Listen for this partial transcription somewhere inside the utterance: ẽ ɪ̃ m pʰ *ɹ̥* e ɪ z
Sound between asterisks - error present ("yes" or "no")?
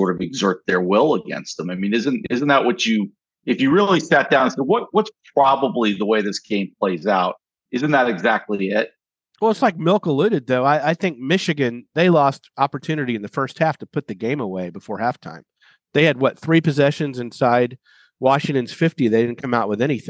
yes